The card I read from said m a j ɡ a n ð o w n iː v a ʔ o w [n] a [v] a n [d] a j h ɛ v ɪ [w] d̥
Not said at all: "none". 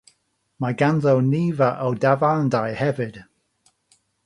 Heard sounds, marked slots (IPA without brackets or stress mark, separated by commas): d, v, d, none